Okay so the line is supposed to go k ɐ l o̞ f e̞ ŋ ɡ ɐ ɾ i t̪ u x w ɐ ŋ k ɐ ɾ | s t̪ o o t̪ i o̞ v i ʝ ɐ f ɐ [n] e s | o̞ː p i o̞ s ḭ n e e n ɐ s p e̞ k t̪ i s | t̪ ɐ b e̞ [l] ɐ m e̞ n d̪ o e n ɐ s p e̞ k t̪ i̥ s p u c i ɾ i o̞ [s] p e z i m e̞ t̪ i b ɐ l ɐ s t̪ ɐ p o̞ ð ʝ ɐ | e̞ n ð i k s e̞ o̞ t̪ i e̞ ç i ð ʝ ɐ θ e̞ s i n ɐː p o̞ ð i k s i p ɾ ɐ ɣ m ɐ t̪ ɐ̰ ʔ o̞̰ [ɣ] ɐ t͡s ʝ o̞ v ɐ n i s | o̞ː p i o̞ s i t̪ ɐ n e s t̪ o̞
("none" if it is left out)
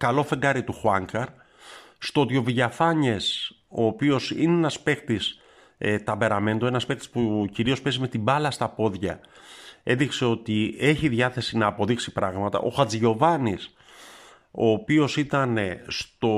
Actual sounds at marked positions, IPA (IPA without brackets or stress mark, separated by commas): ɲ, ɾ, s, x